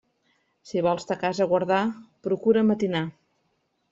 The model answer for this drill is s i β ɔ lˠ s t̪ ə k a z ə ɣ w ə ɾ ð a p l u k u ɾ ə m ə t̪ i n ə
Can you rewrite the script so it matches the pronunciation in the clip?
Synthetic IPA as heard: s i β ɔ lˠ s t̪ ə k a z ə ɣ w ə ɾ ð a p ɾ u k u ɾ ə m ə t̪ i n a